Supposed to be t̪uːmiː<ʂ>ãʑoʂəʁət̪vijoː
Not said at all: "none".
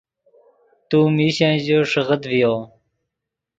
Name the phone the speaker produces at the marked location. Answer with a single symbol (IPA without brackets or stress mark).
ɕ